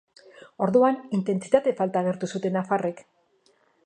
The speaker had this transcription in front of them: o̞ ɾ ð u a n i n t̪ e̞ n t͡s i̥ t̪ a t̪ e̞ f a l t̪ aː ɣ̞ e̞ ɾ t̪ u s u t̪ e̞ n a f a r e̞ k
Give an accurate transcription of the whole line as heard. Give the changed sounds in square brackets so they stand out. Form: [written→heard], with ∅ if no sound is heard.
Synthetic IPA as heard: o̞ ɾ ð u a n i n t̪ e̞ n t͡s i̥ t̪ a t̪ e̞ f a l t̪ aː ɣ̞ e̞ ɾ t̪ u s u t̪ e̞ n a f a r e̞ k